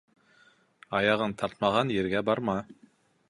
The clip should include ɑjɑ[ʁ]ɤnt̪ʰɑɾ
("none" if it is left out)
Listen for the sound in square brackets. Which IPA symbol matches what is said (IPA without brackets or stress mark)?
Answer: ʁ